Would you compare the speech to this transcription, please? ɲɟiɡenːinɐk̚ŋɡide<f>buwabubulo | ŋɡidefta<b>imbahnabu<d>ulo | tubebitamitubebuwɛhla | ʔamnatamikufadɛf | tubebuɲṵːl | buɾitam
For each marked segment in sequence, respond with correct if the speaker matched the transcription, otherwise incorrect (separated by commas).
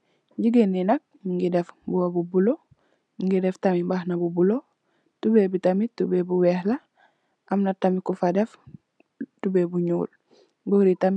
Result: correct, incorrect, incorrect